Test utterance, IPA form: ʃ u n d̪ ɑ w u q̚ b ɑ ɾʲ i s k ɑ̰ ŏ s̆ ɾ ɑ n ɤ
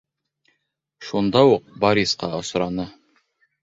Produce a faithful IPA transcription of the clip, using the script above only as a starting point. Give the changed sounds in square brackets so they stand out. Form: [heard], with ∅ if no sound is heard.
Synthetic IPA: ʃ u n d̪ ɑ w u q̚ b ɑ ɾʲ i s [q] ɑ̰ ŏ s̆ ɾ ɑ n ɤ